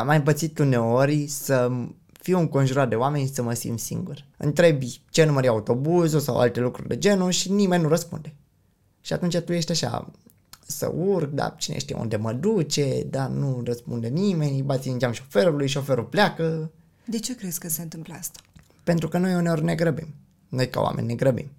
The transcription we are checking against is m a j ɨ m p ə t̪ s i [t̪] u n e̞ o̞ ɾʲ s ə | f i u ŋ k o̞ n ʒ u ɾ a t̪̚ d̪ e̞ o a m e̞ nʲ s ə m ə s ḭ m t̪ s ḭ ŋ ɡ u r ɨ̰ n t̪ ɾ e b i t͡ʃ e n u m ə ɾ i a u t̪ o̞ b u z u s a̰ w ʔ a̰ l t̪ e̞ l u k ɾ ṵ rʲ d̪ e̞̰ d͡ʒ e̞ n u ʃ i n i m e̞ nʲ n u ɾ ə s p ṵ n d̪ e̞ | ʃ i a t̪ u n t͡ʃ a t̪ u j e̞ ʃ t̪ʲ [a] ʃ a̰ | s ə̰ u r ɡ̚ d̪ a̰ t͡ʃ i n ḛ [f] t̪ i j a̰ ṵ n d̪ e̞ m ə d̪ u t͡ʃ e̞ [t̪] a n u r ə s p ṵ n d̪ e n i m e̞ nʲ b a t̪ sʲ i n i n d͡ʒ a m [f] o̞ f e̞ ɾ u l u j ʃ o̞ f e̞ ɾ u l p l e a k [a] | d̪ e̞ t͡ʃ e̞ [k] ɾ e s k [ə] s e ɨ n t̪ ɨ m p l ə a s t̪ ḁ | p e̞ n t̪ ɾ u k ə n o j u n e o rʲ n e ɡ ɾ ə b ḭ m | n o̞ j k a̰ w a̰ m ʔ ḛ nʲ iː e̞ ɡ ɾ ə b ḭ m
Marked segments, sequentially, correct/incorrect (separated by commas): correct, correct, incorrect, incorrect, incorrect, incorrect, correct, correct